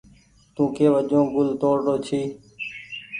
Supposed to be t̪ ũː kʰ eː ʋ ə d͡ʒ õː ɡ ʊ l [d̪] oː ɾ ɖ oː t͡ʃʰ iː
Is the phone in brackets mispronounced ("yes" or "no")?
yes